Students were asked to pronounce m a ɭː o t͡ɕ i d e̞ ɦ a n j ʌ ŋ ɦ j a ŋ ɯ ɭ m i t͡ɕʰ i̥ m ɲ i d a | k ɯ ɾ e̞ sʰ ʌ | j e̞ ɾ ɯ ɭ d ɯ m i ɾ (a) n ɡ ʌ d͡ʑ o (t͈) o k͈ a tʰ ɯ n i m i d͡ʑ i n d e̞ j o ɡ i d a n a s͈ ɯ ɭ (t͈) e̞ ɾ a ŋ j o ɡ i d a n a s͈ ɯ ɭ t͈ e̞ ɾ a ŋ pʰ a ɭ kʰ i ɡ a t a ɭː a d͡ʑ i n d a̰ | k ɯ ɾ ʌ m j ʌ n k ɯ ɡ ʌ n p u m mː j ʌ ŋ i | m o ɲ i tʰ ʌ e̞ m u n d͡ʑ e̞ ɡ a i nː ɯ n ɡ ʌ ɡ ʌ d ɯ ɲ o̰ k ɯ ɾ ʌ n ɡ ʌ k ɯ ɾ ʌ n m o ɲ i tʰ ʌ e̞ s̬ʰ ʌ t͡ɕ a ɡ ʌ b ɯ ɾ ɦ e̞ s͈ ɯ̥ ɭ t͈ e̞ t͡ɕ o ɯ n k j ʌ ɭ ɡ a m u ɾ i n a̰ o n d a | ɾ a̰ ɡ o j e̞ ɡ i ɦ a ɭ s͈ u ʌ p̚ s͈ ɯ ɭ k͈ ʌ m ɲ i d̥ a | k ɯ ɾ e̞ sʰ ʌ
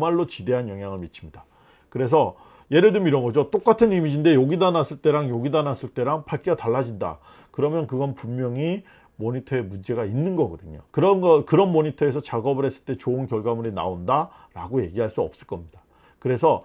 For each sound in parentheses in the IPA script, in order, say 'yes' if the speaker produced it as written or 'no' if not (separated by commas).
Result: no, yes, yes